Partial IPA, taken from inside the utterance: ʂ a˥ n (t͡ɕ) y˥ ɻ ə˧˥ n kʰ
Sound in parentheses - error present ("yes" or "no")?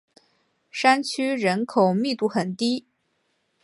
yes